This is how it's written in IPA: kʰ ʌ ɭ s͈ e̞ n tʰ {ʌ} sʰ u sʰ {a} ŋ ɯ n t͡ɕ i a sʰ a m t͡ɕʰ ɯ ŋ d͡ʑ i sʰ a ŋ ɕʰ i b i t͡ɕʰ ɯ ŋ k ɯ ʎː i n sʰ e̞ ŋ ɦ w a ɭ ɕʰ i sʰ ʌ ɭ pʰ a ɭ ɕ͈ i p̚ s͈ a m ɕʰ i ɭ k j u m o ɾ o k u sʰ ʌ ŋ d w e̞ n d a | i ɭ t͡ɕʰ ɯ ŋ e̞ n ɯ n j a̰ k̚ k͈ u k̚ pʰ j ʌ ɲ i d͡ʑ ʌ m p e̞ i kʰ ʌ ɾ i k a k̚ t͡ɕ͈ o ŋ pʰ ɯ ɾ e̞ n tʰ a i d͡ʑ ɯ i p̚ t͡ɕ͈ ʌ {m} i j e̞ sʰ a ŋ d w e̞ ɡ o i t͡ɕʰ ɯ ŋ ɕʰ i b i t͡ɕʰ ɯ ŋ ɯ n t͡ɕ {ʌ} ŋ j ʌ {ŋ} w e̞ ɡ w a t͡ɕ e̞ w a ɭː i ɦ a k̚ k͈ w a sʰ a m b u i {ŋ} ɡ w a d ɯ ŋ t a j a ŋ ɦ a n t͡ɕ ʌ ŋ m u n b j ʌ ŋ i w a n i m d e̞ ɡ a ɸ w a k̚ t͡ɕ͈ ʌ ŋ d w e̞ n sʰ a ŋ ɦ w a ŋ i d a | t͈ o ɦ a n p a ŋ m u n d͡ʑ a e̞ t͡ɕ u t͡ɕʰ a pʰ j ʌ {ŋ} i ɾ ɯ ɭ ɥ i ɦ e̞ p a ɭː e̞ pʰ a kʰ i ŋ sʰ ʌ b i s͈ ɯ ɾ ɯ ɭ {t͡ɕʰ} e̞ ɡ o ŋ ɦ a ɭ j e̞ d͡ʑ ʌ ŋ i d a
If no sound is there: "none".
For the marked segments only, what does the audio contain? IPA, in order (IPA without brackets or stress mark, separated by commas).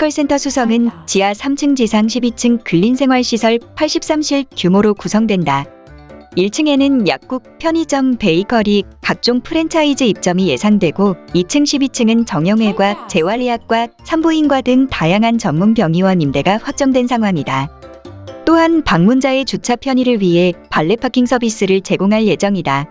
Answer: ʌ, ʌ, m, ʌ, ŋ, n, ɲ, t͡ɕ